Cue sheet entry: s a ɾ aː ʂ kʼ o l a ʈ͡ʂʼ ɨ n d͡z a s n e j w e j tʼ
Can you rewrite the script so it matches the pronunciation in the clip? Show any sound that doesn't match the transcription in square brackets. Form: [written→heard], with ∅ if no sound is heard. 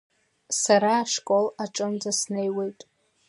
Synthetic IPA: s a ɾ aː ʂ kʼ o l a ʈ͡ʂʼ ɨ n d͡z a s n e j w e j tʼ

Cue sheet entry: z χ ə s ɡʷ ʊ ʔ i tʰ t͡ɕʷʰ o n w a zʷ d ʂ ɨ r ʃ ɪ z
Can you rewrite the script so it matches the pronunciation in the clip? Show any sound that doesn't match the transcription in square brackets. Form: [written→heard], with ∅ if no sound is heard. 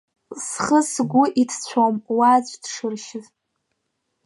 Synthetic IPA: [z→s] χ ə s ɡʷ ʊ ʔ i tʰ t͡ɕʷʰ o [n→m] w a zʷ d ʂ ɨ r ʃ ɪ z

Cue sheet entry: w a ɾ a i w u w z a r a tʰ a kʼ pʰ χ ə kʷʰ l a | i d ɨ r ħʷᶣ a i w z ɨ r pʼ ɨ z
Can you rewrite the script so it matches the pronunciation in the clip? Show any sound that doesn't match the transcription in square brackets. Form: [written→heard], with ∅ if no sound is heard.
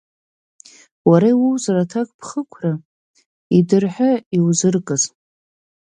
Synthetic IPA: w a ɾ a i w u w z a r a tʰ a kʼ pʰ χ ə kʷʰ [l→r] a | i d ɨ r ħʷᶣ a i w z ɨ r [pʼ→kʼ] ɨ z

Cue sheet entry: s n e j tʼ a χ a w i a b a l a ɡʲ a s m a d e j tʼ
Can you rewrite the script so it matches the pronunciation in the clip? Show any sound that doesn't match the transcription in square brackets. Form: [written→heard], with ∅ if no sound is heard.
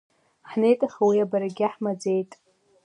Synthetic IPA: [s→ħ] n e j tʼ a χ a w i a b a [l→ɾ] a ɡʲ a [s→ħ] m a [d→d͡z] e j tʼ

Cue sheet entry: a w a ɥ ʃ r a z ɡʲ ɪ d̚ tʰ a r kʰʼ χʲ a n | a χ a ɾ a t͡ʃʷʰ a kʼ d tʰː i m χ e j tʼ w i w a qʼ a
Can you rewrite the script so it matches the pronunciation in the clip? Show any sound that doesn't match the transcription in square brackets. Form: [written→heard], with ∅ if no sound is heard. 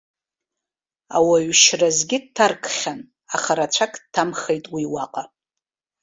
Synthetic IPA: a w a ɥ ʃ r a z ɡʲ ɪ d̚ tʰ a r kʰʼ χʲ a n | a χ a ɾ a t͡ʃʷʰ a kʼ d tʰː [i→a] m χ e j tʼ w i w a qʼ a

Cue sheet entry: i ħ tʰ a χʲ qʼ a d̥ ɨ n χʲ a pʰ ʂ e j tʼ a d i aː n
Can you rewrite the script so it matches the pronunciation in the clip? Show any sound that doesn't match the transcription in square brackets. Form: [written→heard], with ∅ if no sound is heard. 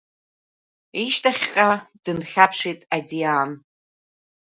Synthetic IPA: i [ħ→ʃ] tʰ a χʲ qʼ a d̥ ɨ n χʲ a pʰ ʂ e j tʼ a d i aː n

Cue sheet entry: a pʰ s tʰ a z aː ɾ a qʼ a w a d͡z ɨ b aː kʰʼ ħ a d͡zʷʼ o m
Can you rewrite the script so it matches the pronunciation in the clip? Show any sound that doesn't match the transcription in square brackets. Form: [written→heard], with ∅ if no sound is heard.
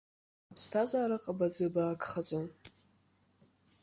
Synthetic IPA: a pʰ s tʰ a z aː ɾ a qʼ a [w→b] a d͡z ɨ b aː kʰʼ [ħ→χ] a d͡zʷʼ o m

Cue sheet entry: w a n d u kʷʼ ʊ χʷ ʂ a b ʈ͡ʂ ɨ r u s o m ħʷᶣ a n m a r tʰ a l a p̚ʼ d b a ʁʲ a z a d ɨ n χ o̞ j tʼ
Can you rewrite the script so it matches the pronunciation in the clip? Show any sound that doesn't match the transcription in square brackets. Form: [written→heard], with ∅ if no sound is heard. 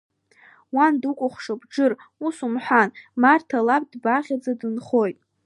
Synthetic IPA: w a n d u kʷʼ ʊ χʷ ʂ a b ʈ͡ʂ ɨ r u s [o→u] m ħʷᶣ a n m a r tʰ a l a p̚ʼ d b a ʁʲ a [z→d͡z] a d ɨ n χ o̞ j tʼ

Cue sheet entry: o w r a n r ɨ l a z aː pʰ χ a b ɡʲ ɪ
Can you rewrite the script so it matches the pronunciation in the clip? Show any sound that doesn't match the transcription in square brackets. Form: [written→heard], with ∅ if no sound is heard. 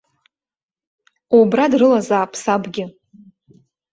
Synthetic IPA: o [w→b] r a [n→d] r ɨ l a z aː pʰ [χ→s] a b ɡʲ ɪ

